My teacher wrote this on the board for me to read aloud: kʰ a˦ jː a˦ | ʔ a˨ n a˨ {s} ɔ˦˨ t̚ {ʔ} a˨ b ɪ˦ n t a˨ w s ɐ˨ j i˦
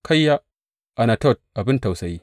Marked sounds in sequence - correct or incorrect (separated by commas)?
incorrect, correct